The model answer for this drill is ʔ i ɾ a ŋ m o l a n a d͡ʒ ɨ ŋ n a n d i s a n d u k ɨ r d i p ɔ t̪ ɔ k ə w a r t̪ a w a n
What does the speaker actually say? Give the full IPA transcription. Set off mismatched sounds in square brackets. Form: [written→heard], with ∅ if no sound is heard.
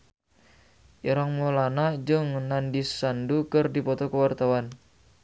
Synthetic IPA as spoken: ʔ i ɾ a ŋ m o l a n a d͡ʒ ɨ ŋ n a n d i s a n d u k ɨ r d i p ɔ t̪ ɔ k ə w a r t̪ a w a n